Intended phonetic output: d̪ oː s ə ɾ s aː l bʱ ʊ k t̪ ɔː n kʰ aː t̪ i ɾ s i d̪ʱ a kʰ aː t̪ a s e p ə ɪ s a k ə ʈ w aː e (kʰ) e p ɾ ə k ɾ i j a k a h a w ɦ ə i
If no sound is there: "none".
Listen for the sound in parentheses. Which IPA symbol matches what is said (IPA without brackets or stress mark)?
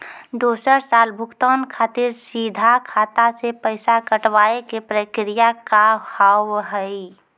k